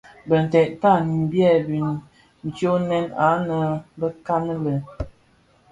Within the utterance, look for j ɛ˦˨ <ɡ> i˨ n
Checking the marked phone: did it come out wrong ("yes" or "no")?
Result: yes